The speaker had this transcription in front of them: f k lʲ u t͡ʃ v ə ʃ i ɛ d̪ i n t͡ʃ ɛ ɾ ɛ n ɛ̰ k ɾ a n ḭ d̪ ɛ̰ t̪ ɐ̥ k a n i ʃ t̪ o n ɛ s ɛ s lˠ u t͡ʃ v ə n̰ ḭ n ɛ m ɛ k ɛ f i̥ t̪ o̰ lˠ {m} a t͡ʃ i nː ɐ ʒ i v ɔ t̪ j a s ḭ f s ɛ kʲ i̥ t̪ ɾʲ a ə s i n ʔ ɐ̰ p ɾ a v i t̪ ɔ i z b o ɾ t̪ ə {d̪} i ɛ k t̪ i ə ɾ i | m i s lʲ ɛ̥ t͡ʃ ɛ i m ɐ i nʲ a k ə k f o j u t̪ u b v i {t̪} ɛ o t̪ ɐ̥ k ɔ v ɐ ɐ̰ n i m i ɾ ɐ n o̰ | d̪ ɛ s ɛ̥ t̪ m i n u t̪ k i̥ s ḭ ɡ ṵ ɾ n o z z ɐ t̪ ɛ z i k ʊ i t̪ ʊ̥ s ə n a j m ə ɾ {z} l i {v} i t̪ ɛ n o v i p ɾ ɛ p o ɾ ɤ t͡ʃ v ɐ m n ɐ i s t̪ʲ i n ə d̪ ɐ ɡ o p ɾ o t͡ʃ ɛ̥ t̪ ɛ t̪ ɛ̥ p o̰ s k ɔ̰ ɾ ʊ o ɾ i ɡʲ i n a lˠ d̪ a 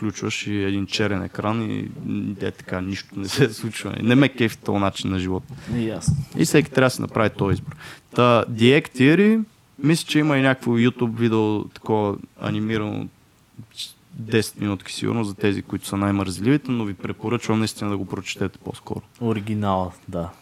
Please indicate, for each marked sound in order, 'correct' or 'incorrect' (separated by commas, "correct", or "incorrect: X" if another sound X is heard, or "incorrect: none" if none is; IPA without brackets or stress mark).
incorrect: n, correct, incorrect: d̪, correct, correct